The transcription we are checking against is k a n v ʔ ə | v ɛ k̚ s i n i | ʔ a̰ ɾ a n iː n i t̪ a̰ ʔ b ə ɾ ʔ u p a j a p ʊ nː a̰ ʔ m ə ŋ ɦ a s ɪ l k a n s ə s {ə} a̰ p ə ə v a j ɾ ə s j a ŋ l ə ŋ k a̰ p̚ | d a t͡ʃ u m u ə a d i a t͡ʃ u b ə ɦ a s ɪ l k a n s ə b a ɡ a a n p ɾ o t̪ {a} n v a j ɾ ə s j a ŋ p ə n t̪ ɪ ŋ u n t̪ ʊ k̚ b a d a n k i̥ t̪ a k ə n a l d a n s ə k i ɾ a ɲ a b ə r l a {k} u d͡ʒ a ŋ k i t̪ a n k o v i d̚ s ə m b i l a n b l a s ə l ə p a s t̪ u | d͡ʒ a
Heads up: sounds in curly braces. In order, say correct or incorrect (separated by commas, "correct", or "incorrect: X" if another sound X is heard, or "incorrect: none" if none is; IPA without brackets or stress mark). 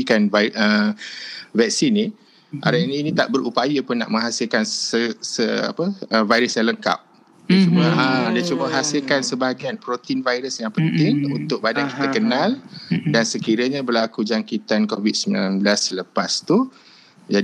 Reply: correct, incorrect: i, correct